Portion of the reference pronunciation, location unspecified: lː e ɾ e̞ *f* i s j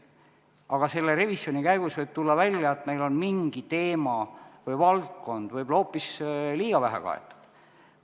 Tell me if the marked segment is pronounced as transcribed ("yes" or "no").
no